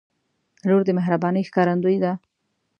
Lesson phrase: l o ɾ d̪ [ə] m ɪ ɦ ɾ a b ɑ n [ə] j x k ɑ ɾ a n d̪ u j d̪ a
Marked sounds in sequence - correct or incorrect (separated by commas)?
correct, correct